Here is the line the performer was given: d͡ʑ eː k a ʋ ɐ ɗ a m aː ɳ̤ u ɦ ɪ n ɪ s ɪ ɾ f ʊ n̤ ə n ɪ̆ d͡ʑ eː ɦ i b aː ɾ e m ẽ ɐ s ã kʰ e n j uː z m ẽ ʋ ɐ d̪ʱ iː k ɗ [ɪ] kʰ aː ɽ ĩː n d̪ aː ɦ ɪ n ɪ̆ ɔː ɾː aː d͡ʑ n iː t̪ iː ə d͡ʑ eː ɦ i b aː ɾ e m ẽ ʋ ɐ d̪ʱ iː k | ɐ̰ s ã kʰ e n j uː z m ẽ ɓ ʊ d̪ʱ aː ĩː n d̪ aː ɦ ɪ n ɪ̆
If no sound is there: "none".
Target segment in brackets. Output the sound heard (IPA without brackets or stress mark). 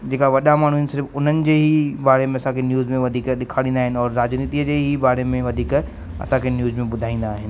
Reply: ɪ